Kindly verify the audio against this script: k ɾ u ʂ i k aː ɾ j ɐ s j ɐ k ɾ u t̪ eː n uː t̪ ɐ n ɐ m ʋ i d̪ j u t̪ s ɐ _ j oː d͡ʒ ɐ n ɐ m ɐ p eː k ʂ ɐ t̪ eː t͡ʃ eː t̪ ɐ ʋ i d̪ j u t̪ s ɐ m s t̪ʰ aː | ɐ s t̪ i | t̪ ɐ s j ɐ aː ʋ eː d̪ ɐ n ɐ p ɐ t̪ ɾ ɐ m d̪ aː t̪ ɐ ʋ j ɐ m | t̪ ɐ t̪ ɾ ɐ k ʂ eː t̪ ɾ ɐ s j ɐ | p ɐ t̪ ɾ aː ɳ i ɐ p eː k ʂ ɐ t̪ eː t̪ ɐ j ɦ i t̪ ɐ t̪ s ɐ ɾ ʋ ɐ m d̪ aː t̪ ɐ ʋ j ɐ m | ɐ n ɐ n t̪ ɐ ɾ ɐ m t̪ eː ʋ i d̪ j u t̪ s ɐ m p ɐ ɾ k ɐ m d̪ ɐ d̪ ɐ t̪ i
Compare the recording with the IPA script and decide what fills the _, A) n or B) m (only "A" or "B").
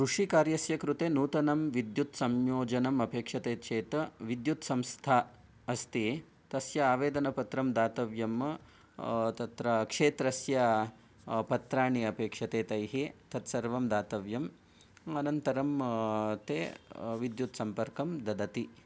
B